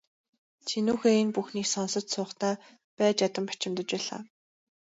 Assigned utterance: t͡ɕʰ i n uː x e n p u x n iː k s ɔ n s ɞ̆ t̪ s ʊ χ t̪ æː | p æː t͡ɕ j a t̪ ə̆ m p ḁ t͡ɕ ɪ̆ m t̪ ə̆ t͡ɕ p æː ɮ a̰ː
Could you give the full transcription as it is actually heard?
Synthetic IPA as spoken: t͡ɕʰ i n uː x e n p u x n iː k s ɔ n s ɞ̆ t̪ s ʊː χ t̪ æː | p æː t͡ɕ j a t̪ ə̆ m p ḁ t͡ɕ ɪ̆ m t̪ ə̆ t͡ɕ p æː ɮ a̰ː